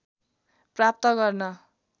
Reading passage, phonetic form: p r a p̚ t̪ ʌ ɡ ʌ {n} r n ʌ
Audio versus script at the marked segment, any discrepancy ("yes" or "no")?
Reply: yes